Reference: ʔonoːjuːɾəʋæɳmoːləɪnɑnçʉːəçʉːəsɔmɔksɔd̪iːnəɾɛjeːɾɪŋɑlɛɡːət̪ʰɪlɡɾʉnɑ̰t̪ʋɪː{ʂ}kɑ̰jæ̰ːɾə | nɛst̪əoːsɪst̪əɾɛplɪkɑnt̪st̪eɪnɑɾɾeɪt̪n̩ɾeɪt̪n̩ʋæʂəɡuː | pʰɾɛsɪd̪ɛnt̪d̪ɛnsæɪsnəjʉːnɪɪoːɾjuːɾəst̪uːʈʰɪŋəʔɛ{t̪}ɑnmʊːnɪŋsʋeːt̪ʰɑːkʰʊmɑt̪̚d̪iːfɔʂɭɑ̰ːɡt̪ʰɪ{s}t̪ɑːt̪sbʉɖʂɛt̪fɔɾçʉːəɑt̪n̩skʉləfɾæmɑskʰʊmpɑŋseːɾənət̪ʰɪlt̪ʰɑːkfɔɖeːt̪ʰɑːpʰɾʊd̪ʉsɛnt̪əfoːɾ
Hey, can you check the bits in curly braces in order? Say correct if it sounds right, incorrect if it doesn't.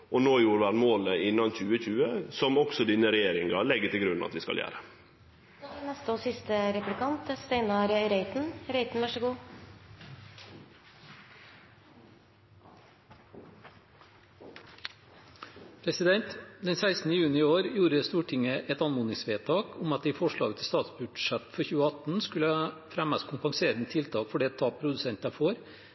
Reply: incorrect, correct, correct

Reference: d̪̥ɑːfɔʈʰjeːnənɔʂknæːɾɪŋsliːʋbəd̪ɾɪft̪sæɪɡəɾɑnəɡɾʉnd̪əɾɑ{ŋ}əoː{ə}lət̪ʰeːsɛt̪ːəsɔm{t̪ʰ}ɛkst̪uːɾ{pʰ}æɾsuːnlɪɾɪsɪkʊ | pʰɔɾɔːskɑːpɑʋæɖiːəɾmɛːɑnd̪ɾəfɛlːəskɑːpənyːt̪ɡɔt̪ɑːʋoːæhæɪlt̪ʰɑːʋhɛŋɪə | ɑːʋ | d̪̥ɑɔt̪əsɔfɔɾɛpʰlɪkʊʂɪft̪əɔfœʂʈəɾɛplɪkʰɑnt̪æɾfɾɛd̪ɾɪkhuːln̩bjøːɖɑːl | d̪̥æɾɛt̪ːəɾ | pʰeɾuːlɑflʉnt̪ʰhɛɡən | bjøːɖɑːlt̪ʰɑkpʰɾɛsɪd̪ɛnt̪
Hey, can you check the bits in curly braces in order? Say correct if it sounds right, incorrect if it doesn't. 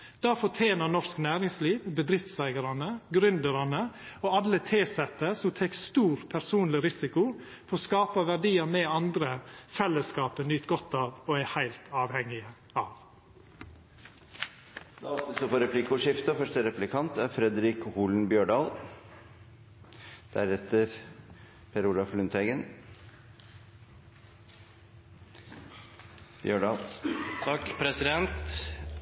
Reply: incorrect, incorrect, correct, correct

